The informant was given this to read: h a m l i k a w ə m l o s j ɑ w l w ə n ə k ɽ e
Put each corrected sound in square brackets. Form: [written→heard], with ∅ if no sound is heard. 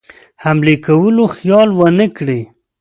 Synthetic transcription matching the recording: h a m l [i→e] k a w ə [m→∅] l o [s→x] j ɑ [w→∅] l w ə n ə k ɽ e